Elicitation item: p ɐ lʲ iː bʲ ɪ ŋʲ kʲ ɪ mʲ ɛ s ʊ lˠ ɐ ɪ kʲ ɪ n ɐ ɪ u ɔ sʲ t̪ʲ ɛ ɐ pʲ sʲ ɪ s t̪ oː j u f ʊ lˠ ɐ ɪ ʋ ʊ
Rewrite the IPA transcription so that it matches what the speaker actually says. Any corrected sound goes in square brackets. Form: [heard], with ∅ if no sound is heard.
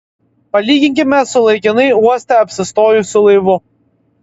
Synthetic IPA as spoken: p ɐ lʲ iː [ɡʲ] ɪ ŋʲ kʲ ɪ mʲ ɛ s ʊ lˠ ɐ ɪ kʲ ɪ n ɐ ɪ u ɔ sʲ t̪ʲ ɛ ɐ pʲ sʲ ɪ s t̪ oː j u [s] ʊ lˠ ɐ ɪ ʋ ʊ

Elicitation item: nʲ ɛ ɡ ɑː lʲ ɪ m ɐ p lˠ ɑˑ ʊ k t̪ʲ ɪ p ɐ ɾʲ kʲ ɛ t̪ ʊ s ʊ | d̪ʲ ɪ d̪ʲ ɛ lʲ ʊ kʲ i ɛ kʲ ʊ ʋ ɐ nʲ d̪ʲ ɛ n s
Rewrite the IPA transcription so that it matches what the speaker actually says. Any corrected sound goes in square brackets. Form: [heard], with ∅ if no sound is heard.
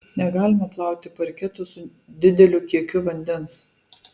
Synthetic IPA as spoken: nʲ ɛ ɡ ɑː lʲ ɪ m ɐ p lˠ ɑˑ ʊ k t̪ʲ ɪ p ɐ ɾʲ kʲ ɛ t̪ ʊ s ʊ | d̪ʲ ɪ d̪ʲ ɛ lʲ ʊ kʲ i ɛ kʲ ʊ ʋ ɐ nʲ d̪ʲ ɛ n s

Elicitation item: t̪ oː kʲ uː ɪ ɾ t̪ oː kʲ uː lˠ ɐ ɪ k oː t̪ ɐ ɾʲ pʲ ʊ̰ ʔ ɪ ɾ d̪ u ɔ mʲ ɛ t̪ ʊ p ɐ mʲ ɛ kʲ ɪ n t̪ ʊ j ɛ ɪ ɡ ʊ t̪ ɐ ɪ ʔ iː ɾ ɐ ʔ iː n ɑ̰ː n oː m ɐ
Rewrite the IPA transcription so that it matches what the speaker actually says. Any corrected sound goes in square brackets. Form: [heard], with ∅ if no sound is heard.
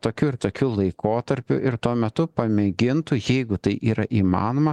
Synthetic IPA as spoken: t̪ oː kʲ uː ɪ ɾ t̪ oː kʲ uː lˠ ɐ ɪ k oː t̪ ɐ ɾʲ pʲ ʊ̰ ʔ ɪ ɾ [t̪] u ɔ mʲ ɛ t̪ ʊ p ɐ mʲ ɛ [ɡʲ] ɪ n t̪ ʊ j ɛ ɪ ɡ ʊ t̪ ɐ ɪ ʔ iː ɾ ɐ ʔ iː [m] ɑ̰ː n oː m ɐ

